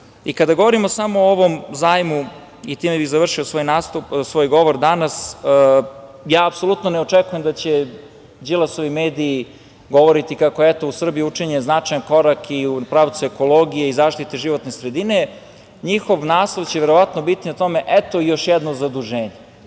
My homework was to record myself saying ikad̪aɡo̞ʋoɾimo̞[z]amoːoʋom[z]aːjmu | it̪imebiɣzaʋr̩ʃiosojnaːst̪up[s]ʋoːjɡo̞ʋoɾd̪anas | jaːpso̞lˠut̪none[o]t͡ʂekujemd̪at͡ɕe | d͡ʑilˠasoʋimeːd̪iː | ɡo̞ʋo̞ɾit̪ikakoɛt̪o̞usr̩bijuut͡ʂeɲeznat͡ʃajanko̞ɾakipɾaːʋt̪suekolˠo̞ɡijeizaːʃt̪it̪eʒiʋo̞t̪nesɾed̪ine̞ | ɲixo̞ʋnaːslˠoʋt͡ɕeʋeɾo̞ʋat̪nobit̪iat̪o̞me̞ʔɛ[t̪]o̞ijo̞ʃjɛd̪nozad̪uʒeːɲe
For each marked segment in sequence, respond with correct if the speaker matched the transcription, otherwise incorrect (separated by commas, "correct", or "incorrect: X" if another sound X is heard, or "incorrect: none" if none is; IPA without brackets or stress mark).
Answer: incorrect: s, correct, correct, correct, correct